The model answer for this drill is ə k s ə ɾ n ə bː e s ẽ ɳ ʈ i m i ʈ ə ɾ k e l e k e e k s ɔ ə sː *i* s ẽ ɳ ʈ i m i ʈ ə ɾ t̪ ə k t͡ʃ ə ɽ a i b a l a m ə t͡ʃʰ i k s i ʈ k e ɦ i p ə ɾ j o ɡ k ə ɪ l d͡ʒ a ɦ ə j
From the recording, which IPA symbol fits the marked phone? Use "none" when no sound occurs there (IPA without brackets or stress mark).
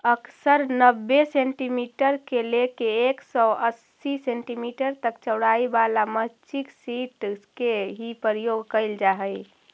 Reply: i